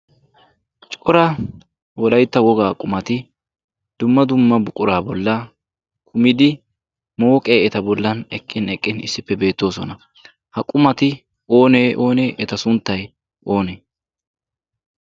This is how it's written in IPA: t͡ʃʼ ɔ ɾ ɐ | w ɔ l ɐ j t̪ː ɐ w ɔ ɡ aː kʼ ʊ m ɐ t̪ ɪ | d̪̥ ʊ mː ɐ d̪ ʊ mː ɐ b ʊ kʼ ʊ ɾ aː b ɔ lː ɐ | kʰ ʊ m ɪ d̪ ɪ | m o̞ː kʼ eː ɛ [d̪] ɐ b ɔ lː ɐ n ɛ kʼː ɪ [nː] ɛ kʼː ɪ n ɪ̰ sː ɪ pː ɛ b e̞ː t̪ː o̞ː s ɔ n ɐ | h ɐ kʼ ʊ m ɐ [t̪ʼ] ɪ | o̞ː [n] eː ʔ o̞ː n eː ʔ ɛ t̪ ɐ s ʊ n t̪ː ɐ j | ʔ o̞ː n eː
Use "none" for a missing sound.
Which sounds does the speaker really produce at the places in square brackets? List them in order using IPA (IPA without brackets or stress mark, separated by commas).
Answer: t̪, n, t̪, n